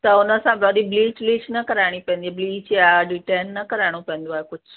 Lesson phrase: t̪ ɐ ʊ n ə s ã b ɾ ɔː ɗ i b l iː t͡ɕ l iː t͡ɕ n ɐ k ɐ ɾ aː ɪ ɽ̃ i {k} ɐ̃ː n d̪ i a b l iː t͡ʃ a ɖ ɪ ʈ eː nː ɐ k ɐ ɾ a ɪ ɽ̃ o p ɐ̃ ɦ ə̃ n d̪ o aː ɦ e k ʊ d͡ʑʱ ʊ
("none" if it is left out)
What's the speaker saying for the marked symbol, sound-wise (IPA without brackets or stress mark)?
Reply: p